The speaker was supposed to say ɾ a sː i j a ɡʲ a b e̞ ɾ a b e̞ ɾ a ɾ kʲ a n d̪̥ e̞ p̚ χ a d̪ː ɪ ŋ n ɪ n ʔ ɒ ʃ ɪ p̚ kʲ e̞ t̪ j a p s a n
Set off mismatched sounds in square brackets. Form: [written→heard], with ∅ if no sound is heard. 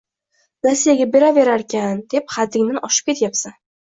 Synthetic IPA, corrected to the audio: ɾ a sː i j a ɡʲ a b e̞ ɾ a [b→v] e̞ ɾ a ɾ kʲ a n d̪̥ e̞ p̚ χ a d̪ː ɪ ŋ n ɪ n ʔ ɒ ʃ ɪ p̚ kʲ e̞ t̪ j a p s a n